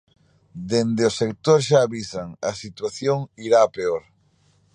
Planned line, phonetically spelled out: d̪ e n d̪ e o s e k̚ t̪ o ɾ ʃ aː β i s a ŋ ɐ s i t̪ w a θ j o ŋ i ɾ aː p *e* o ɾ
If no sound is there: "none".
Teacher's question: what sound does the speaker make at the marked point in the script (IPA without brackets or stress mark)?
e